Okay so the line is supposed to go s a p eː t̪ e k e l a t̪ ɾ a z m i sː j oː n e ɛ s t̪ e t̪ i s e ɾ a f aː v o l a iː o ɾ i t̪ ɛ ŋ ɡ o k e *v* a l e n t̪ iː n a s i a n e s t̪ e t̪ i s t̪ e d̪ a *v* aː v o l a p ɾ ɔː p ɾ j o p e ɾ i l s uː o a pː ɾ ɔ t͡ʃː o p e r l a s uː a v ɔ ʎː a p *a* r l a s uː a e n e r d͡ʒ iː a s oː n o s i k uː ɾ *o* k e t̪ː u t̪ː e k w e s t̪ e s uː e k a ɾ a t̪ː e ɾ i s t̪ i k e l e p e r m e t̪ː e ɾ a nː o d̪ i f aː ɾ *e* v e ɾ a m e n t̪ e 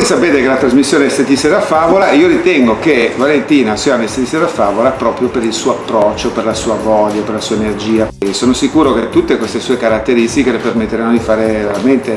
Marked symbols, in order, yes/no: yes, no, no, yes, yes

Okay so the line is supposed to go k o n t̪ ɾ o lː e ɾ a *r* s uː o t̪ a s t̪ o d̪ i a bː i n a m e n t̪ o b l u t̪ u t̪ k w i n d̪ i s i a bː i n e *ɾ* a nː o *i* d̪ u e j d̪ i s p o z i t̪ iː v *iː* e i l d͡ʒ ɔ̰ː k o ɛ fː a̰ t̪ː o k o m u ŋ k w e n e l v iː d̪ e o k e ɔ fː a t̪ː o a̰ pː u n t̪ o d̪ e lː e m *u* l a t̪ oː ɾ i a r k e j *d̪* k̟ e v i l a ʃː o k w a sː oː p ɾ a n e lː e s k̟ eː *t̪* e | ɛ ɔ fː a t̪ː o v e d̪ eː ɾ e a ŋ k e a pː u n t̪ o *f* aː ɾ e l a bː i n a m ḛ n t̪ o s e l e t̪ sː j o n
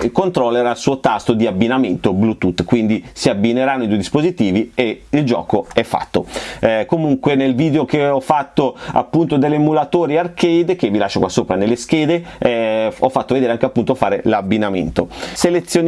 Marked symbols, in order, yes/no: no, yes, yes, no, yes, yes, no, yes

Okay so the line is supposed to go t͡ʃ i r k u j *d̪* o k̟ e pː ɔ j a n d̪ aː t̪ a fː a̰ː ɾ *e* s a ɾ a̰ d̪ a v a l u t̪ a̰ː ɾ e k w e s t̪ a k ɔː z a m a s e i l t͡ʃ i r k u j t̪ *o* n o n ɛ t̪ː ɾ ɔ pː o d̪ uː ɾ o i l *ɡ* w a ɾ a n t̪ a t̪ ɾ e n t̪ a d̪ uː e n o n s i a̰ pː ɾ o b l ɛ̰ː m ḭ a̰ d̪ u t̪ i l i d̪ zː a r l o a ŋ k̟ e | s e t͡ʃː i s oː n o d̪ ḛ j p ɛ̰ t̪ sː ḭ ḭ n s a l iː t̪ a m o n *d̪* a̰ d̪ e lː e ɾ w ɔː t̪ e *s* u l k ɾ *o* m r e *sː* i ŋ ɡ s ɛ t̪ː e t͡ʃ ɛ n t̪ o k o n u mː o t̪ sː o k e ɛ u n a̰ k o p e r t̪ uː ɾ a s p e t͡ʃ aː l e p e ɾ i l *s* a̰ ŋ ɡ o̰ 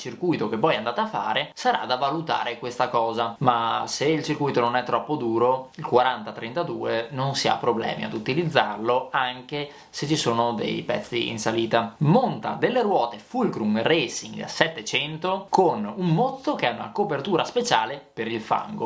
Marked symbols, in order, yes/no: no, yes, yes, no, no, no, no, no, no

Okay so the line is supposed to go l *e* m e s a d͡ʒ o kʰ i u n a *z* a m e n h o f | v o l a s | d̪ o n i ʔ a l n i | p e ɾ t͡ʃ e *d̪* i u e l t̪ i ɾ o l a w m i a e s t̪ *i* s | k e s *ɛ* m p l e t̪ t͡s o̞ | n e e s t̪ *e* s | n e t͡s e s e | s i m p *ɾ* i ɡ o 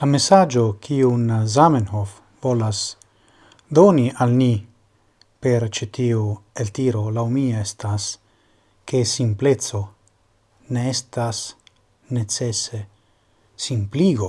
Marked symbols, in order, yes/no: no, yes, no, no, no, no, no

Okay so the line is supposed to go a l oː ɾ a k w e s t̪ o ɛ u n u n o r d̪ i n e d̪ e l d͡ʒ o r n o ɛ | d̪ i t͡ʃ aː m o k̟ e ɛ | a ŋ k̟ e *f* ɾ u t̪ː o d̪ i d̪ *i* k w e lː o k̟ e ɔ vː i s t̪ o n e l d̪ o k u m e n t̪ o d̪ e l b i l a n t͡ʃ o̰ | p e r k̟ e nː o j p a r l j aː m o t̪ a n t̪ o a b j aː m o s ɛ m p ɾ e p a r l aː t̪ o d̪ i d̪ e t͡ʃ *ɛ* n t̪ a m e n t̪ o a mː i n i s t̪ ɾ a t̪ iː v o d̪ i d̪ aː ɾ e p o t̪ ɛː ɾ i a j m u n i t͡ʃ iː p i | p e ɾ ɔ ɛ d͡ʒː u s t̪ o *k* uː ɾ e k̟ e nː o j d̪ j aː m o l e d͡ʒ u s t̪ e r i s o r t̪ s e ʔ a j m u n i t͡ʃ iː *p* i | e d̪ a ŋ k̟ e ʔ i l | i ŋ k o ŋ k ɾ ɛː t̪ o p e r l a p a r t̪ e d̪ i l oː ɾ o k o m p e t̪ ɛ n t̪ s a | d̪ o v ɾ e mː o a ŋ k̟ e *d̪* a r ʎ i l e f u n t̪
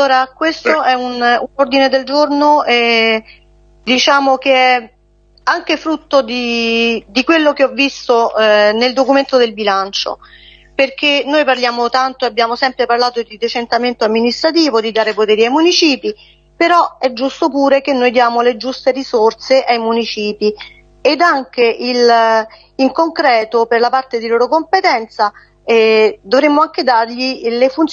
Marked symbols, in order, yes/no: yes, yes, no, no, yes, yes

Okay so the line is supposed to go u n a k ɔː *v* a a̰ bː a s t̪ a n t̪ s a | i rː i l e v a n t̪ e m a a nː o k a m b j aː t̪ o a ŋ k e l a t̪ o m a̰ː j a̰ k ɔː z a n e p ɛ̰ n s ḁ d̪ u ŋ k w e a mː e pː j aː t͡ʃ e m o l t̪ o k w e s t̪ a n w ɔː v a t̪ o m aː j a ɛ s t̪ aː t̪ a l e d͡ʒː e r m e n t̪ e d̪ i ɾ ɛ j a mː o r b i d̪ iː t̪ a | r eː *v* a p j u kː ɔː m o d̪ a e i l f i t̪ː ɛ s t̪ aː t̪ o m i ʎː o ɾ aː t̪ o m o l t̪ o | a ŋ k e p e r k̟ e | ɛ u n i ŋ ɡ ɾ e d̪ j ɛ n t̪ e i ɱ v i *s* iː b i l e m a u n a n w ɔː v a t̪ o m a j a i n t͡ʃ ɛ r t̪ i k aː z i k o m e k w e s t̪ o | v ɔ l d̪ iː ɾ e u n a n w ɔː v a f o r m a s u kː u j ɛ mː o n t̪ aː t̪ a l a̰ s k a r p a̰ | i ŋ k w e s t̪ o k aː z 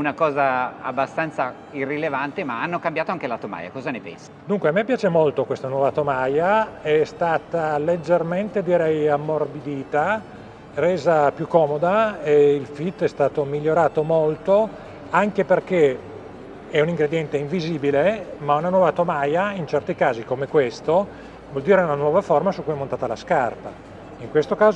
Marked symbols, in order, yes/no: no, no, no

